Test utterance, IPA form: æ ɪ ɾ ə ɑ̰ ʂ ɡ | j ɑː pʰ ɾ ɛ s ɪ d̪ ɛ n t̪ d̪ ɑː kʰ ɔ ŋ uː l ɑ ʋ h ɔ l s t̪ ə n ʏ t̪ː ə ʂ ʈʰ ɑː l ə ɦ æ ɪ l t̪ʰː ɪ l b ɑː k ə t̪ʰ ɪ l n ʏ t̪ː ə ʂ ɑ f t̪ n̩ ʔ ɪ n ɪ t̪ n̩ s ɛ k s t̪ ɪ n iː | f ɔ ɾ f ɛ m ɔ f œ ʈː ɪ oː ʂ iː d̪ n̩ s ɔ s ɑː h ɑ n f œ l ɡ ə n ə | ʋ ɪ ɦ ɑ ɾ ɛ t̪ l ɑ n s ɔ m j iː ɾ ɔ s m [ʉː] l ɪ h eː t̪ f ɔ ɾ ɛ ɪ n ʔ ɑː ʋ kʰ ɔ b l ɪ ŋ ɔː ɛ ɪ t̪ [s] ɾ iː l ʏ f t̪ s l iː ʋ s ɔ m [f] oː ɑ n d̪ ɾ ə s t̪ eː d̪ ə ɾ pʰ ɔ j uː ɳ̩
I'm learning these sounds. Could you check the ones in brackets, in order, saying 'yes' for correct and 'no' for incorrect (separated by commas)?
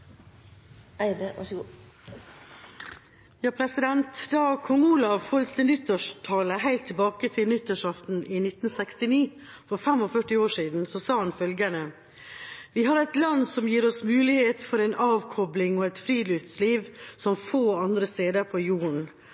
yes, no, yes